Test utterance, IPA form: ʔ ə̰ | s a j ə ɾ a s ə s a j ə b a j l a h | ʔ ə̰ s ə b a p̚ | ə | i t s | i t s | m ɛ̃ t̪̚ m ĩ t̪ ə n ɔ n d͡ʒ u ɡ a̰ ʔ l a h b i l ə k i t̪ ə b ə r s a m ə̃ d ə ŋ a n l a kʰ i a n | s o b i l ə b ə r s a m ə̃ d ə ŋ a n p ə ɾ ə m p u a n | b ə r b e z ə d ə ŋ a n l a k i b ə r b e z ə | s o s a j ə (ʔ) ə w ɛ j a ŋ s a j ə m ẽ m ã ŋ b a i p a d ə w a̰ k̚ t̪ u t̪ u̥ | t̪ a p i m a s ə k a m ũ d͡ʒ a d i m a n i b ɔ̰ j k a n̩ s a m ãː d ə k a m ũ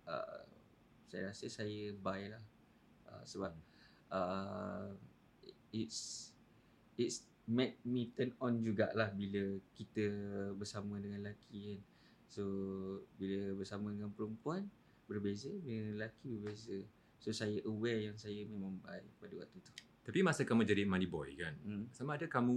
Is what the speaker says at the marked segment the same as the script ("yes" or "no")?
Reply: yes